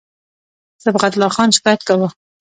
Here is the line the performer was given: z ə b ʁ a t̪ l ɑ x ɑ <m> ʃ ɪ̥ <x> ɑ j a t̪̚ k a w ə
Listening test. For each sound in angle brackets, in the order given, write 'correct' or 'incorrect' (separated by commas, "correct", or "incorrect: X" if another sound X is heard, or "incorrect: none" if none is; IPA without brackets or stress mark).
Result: incorrect: n, incorrect: k